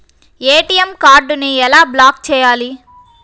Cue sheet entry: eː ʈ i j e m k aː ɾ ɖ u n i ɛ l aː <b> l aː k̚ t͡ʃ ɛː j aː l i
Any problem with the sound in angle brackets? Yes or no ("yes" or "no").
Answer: no